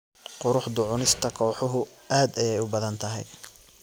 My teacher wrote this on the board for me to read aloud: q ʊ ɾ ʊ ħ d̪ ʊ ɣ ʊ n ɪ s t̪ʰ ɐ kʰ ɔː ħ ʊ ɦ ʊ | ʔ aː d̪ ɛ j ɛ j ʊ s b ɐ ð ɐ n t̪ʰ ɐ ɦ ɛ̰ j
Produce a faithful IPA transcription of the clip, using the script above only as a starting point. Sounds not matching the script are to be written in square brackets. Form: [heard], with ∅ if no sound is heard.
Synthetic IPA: q ʊ ɾ ʊ ħ d̪ ʊ [ʕ] ʊ n ɪ s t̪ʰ ɐ kʰ ɔː ħ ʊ ɦ ʊ | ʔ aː d̪ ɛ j ɛ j ʊ [∅] b ɐ ð ɐ n t̪ʰ ɐ ɦ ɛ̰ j